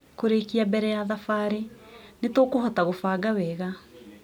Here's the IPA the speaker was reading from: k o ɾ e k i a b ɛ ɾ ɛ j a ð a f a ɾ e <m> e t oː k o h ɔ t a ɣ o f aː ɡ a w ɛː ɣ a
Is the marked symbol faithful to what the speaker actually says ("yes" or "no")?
no